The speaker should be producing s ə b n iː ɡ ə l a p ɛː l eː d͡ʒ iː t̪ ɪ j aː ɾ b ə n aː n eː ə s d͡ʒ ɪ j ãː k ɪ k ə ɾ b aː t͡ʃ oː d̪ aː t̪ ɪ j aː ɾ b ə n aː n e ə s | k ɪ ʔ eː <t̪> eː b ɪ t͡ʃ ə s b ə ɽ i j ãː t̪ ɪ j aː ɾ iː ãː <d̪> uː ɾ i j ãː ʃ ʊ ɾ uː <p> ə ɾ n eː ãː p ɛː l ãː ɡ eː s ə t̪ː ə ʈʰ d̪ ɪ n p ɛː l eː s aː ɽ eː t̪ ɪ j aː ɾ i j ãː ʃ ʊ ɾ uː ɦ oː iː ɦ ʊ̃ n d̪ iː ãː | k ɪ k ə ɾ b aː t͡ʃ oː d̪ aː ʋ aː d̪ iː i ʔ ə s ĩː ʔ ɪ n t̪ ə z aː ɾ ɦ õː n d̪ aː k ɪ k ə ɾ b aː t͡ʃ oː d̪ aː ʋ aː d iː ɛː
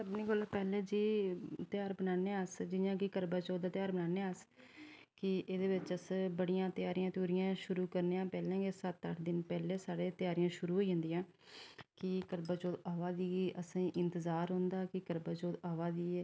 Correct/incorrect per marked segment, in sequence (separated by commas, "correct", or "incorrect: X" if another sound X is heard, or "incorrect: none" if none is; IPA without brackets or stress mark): incorrect: d̪, incorrect: t̪, incorrect: k